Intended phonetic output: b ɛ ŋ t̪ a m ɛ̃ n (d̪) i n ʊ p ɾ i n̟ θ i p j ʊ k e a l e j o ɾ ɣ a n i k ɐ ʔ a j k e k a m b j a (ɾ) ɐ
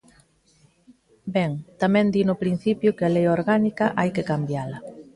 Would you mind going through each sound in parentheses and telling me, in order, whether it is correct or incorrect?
correct, incorrect: l

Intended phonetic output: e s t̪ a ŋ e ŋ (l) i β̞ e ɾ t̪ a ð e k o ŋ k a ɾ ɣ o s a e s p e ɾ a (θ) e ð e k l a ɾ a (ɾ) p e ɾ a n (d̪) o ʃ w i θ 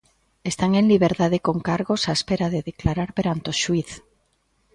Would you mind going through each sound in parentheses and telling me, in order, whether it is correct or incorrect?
correct, incorrect: ð, correct, incorrect: t̪

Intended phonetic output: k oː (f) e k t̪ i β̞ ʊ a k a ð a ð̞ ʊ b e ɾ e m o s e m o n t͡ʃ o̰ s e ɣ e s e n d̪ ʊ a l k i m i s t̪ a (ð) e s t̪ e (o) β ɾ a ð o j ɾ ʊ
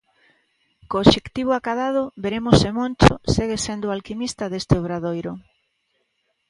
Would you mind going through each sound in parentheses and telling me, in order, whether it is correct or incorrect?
incorrect: ʃ, correct, correct

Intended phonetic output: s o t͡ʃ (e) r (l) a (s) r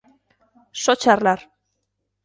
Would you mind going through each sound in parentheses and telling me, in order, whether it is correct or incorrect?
incorrect: a, correct, incorrect: none

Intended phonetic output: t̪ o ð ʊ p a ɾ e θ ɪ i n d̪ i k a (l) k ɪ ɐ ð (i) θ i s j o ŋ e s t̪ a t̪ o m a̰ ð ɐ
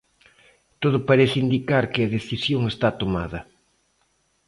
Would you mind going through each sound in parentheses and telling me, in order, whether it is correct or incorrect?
incorrect: ɾ, incorrect: e

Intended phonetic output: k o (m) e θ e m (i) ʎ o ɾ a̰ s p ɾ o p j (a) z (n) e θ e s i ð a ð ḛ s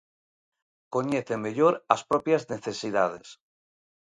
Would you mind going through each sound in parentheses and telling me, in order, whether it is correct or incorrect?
incorrect: ɲ, incorrect: e, correct, correct

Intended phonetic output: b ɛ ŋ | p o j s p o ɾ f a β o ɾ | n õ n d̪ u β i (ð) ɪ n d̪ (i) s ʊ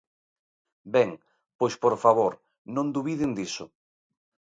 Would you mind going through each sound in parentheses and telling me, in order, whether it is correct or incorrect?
correct, correct

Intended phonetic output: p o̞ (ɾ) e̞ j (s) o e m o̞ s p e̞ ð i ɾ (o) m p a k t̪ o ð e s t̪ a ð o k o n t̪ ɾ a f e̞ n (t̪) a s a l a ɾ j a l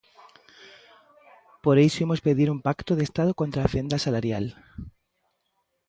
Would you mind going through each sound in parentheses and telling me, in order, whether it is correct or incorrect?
correct, correct, incorrect: u, incorrect: d̪

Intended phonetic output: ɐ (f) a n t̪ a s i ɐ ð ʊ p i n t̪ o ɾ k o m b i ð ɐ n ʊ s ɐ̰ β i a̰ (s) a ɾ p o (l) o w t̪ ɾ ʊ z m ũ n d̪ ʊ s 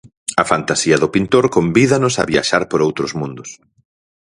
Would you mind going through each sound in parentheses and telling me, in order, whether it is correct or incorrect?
correct, incorrect: ʃ, incorrect: ɾ

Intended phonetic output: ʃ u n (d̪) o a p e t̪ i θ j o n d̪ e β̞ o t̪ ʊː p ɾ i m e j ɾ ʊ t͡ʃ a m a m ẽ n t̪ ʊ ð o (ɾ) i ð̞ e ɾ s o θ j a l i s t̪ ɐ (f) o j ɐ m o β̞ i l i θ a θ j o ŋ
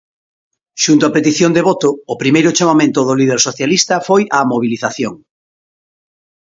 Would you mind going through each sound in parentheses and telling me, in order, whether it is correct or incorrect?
incorrect: t̪, incorrect: l, correct

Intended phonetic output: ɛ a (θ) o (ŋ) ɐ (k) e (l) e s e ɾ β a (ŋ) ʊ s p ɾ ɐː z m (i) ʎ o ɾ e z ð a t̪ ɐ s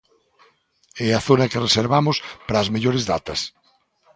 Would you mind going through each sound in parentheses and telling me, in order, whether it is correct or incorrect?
correct, incorrect: n, correct, incorrect: r, incorrect: m, incorrect: e

